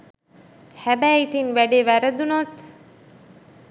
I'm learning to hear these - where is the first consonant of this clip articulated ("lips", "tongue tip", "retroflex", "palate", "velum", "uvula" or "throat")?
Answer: throat